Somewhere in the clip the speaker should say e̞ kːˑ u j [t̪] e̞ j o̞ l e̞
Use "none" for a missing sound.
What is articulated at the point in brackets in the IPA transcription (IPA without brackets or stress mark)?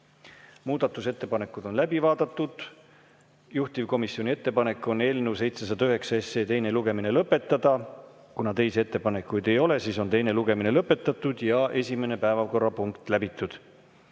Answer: d̪